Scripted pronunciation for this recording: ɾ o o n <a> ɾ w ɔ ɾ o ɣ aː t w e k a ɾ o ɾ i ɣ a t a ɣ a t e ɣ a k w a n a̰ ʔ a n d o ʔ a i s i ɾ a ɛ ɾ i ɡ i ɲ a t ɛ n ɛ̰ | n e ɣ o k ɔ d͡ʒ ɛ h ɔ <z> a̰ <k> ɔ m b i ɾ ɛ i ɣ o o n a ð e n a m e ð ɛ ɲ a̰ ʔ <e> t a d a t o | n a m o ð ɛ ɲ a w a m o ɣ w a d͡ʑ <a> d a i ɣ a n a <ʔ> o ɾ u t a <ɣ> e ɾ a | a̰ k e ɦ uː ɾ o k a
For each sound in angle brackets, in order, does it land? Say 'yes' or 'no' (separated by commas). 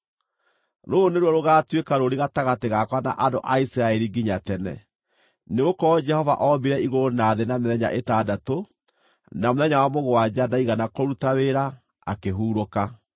no, no, no, yes, yes, no, no